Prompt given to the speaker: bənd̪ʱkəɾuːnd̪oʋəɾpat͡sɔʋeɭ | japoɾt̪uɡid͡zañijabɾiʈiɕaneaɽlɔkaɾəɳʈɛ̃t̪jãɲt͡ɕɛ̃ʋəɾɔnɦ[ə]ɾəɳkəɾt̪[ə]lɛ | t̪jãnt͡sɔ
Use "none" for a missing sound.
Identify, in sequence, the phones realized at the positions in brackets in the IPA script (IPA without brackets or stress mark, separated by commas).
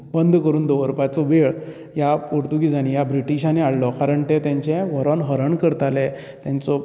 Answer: ə, a